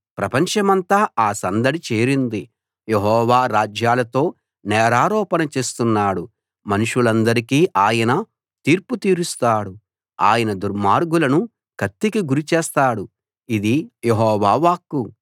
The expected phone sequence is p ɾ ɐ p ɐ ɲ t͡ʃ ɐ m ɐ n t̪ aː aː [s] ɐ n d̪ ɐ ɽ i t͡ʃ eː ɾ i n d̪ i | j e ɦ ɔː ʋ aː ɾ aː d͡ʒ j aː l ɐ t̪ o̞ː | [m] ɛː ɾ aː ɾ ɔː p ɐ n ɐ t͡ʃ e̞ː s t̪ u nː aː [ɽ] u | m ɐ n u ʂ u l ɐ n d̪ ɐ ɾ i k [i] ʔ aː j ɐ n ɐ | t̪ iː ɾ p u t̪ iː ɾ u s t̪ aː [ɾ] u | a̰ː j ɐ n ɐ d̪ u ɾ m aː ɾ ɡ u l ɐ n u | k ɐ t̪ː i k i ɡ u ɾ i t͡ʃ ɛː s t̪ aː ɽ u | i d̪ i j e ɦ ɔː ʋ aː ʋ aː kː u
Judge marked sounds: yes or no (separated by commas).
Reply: yes, no, yes, no, no